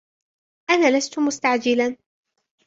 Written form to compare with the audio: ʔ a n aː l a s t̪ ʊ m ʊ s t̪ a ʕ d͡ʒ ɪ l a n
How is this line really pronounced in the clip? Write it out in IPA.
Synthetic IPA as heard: ʔ a n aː l a s t̪ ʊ m ʊ s t̪ a ʕ d͡ʒ ɪ l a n